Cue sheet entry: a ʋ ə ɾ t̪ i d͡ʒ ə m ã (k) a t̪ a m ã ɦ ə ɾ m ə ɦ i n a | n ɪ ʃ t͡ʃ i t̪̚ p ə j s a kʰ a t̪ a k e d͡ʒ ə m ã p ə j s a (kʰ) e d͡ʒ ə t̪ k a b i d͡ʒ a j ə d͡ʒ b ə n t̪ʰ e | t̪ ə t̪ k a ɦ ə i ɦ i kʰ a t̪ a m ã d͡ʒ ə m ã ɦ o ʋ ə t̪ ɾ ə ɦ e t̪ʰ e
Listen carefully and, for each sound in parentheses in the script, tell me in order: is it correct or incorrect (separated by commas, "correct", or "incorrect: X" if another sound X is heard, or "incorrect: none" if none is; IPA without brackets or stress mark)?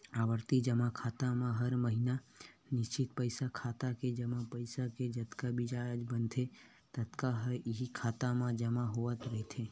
incorrect: kʰ, incorrect: k